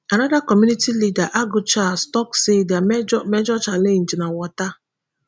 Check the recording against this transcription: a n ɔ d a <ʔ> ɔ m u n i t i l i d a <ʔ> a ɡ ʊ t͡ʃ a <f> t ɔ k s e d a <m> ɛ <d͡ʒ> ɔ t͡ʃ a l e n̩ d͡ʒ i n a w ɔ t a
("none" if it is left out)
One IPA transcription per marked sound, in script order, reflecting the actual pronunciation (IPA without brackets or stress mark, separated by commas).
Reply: k, ʔ, s, m, d͡ʒ